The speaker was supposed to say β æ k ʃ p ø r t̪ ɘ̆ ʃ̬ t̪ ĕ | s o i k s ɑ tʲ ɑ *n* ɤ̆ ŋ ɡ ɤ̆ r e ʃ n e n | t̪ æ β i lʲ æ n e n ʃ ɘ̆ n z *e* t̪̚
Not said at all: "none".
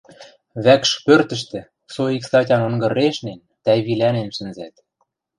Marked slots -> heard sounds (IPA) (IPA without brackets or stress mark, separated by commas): n, æ